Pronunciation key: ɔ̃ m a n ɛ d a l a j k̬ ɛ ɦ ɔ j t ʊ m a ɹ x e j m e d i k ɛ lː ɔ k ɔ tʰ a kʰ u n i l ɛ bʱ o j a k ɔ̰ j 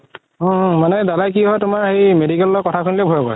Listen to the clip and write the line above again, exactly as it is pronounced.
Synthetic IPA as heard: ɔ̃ m a n ɛ d a l a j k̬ i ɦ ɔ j t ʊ m a ɹ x e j m e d i k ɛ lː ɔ k ɔ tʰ a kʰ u n i l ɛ bʱ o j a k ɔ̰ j